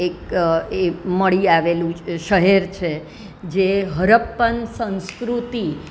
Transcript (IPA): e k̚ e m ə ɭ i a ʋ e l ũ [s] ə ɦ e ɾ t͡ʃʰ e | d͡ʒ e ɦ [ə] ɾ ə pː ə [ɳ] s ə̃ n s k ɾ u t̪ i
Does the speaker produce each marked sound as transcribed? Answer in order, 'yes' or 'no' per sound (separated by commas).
no, yes, no